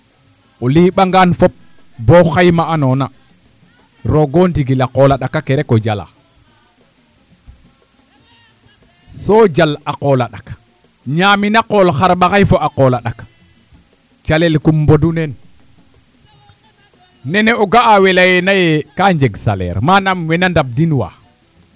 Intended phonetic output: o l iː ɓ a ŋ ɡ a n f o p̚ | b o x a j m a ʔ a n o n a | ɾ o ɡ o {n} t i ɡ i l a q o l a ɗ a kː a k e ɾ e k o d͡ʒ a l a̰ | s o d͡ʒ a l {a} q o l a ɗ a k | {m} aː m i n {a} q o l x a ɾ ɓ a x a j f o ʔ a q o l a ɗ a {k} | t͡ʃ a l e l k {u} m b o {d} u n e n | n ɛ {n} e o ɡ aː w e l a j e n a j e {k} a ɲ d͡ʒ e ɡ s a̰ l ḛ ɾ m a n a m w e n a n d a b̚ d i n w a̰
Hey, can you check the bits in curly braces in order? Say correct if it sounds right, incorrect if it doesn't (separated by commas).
correct, correct, incorrect, correct, correct, correct, correct, correct, correct